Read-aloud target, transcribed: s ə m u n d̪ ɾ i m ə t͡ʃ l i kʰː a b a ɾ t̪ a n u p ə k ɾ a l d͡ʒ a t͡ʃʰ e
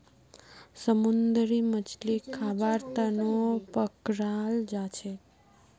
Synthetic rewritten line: s ə m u n d̪ ɾ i m ə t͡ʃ l i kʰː a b a ɾ t̪ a n o p ə k ɾ a l d͡ʒ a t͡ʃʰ e